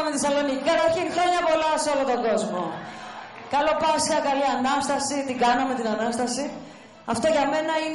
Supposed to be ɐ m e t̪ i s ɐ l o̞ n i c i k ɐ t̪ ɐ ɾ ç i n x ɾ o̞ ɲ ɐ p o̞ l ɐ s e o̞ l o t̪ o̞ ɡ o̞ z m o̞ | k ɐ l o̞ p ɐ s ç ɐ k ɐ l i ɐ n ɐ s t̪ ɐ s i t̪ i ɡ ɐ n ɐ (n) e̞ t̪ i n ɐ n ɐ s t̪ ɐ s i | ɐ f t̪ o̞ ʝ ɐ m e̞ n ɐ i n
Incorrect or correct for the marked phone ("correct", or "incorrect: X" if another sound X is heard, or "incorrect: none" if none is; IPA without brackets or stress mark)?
incorrect: m